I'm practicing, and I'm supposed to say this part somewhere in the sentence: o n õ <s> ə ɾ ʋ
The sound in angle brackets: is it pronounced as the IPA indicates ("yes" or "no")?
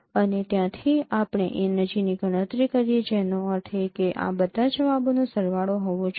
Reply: yes